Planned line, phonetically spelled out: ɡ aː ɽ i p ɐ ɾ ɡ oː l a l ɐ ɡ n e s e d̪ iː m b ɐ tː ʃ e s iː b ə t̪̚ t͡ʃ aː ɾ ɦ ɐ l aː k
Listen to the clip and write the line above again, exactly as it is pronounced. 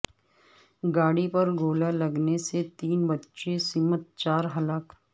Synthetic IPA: ɡ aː ɽ i p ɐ ɾ ɡ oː l a l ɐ ɡ n e s e t̪ iː n b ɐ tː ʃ e s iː m ə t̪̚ t͡ʃ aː ɾ ɦ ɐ l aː k

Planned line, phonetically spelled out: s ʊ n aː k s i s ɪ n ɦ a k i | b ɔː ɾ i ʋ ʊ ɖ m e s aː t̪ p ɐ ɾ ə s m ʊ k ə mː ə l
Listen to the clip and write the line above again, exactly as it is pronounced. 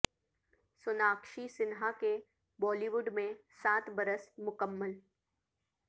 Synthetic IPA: s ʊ n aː k ʃ i s ɪ n ɦ a k e | b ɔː l i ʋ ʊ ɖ m ẽ s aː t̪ b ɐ ɾ ə s m ʊ k ə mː ə l

